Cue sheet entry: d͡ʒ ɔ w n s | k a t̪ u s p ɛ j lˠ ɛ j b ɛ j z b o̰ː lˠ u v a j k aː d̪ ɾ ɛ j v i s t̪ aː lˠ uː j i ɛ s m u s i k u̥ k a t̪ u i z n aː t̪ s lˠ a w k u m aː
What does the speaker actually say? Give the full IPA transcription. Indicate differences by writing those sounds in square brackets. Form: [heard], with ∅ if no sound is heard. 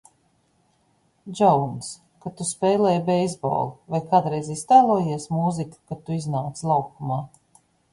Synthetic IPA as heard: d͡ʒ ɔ w n s | k a t̪ u s p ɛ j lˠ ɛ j b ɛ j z b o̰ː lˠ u v a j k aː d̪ ɾ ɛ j [z] i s t̪ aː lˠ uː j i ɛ s m u [z] i k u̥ k a t̪ u i z n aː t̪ s lˠ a w k u m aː